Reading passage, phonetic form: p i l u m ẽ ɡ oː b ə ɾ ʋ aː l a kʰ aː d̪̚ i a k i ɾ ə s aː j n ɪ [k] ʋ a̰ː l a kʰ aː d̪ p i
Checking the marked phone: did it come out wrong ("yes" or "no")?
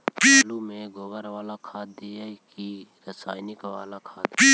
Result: no